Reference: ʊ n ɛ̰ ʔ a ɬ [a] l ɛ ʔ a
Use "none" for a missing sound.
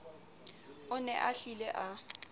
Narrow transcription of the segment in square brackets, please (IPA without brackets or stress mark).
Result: i